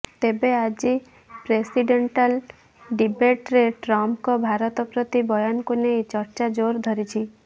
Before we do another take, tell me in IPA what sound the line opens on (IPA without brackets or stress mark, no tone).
t̪